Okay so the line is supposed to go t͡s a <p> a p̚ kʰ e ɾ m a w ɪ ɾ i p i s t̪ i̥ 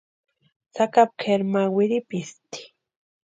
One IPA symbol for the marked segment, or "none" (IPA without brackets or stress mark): k